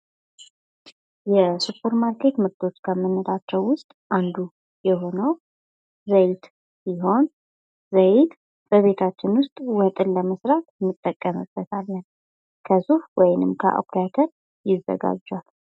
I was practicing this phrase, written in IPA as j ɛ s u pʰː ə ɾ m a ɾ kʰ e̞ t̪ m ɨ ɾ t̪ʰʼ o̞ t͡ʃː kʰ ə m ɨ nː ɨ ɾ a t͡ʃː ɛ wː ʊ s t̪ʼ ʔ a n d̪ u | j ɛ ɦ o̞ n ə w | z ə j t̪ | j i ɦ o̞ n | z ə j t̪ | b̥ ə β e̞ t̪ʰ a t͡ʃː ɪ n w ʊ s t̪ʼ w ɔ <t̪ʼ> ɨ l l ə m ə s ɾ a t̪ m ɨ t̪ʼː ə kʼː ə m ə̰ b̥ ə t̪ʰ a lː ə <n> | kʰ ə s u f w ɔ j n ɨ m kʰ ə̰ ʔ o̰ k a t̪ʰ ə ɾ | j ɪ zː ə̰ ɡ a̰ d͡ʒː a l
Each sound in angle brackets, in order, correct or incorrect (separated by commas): correct, correct